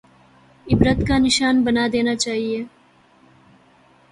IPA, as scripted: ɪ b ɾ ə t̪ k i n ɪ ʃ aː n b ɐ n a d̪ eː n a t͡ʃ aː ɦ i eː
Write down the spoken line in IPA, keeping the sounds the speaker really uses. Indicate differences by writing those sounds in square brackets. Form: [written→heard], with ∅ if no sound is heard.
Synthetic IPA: ɪ b ɾ ə t̪ k [i→a] n ɪ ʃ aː n b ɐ n a d̪ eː n a t͡ʃ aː ɦ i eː